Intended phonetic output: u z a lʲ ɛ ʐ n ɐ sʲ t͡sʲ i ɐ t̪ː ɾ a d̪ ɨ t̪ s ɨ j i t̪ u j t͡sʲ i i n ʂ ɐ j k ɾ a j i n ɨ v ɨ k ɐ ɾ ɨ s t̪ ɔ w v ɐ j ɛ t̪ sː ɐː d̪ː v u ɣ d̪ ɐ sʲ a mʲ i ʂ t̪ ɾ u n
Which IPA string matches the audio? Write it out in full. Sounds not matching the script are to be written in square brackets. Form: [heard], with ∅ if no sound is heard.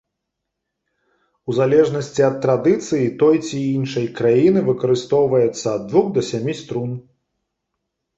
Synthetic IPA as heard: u z a lʲ ɛ ʐ n ɐ sʲ t͡sʲ i ɐ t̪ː ɾ a d̪ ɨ t̪ s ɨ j i t̪ [ɔ] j t͡sʲ i i n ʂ ɐ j k ɾ a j i n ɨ v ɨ k ɐ ɾ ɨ s t̪ ɔ w v ɐ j ɛ t̪ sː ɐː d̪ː v u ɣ d̪ ɐ sʲ a mʲ i [s] t̪ ɾ u n